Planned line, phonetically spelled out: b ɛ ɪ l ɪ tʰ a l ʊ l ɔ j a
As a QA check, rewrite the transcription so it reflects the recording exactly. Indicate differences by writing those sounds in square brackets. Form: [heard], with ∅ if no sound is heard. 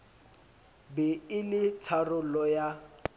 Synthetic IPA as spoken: b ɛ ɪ l ɪ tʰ a [r] ʊ l ɔ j a